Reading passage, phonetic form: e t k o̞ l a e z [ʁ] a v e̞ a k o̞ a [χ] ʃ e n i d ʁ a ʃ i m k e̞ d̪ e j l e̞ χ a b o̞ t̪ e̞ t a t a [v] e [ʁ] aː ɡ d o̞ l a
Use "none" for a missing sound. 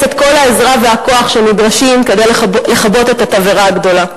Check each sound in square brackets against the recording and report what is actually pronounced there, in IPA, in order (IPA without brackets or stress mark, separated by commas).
ʁ, χ, v, ʁ